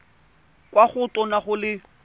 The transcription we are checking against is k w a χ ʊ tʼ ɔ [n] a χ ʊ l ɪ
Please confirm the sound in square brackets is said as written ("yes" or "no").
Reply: yes